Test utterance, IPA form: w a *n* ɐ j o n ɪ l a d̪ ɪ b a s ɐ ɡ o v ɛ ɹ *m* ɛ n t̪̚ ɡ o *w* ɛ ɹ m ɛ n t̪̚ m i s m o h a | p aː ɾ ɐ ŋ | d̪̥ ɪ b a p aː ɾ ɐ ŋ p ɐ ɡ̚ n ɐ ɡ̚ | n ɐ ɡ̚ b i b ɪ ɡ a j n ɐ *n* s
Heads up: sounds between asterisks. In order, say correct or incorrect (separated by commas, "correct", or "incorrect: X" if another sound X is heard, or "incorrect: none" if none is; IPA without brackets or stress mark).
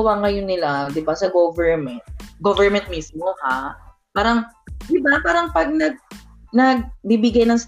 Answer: incorrect: ŋ, correct, incorrect: v, incorrect: ŋ